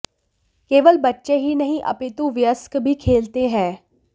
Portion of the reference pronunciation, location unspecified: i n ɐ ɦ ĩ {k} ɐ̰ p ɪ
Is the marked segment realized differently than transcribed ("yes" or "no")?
yes